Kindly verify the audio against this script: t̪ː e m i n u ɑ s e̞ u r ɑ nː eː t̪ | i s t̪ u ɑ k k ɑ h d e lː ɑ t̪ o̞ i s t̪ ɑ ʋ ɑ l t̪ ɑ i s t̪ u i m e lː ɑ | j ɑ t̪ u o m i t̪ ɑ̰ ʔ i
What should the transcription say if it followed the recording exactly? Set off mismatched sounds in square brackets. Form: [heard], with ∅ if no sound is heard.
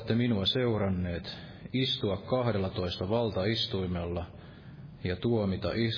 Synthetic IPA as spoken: t̪ː e m i n u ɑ s e̞ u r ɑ nː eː t̪ | i s t̪ u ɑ k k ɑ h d e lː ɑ t̪ o̞ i s t̪ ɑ ʋ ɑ l t̪ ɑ i s t̪ u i m e lː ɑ | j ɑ t̪ u o m i t̪ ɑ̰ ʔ i